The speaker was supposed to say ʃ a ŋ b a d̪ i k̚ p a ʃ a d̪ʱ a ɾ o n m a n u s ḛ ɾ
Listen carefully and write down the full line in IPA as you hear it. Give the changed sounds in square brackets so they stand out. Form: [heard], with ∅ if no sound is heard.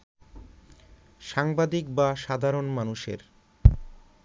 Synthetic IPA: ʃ a ŋ b a d̪ i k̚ [b] a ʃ a d̪ʱ a ɾ o n m a n u [ʃ] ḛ ɾ